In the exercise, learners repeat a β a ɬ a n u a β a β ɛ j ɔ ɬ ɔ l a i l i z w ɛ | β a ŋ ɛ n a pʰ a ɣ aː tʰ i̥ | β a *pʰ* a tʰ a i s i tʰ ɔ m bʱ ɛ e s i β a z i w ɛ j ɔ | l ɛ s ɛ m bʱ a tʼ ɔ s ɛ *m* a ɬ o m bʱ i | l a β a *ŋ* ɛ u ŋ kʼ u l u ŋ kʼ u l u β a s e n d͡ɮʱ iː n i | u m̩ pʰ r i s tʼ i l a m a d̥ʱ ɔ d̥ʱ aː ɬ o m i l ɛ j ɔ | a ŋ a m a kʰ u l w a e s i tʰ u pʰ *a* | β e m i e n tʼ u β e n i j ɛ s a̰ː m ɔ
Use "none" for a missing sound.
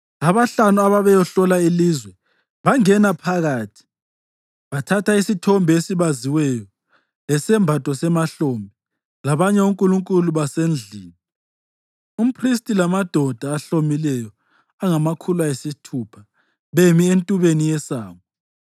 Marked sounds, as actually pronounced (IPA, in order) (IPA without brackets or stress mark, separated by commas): tʰ, m, ɲ, a